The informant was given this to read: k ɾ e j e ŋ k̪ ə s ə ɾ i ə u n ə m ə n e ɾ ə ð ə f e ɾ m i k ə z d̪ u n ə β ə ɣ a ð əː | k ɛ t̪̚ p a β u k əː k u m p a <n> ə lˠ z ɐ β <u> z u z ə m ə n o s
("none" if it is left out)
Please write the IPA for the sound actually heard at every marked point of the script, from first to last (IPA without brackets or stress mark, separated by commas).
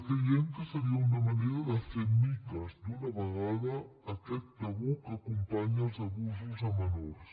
ɲ, u